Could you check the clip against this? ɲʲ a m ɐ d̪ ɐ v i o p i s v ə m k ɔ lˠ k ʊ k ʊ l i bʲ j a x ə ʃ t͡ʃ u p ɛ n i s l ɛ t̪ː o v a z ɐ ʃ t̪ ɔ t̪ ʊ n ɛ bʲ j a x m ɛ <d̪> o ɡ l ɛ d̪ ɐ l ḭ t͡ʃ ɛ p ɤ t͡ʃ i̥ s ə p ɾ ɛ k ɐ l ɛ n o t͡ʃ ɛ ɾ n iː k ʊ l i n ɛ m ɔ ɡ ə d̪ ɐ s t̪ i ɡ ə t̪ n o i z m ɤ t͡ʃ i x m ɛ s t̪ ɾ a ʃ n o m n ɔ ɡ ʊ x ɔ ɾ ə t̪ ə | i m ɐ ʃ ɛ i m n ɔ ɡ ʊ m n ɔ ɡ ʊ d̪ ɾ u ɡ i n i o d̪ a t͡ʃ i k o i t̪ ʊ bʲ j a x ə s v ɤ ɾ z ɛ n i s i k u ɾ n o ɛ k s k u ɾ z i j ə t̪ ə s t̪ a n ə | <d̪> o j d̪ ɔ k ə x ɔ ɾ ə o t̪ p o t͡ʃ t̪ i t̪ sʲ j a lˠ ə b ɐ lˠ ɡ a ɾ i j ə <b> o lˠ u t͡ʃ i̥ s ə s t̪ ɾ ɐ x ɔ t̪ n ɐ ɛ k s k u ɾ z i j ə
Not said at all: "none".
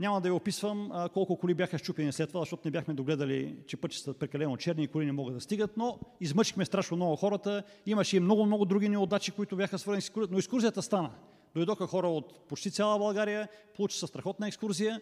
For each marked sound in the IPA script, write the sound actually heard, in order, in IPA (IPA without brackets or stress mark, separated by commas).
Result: d̪, d̪, p